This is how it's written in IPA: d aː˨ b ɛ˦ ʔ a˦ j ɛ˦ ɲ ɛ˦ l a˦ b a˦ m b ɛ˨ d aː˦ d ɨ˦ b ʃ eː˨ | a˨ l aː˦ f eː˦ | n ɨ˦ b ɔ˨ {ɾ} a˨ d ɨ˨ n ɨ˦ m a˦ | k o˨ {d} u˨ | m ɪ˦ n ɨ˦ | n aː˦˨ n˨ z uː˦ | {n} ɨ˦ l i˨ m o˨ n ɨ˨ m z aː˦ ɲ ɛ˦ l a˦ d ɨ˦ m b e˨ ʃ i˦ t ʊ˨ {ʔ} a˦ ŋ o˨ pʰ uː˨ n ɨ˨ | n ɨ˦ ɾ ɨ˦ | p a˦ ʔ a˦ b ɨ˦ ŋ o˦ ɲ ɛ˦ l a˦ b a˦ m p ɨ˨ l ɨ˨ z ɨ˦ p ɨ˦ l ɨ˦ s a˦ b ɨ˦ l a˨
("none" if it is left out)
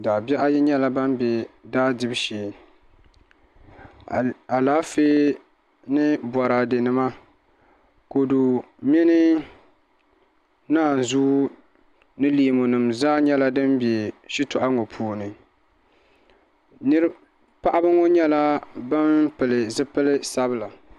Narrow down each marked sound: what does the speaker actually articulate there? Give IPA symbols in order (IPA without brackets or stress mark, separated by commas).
ɾ, d, n, ʔ